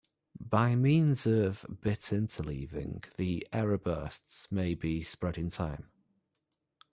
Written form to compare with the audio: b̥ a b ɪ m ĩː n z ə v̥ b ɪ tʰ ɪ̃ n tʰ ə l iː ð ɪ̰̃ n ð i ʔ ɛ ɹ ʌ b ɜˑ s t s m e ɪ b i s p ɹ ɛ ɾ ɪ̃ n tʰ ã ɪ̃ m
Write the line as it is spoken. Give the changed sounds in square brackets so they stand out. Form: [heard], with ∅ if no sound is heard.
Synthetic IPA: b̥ a [∅] ɪ m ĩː n z ə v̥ b ɪ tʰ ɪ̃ n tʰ ə l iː [v] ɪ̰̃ [ŋ] ð i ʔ ɛ ɹ [ə] b ɜˑ s t s m e ɪ b i s p ɹ ɛ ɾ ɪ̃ n tʰ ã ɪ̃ m